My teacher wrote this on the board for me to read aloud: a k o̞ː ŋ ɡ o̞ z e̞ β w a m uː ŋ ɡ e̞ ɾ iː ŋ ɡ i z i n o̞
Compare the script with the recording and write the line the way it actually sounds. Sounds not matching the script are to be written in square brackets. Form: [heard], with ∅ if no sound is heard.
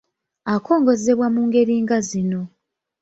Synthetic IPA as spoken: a k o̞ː ŋ ɡ o̞ z e̞ β w a m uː ŋ ɡ e̞ ɾ iː ŋ ɡ [a] z i n o̞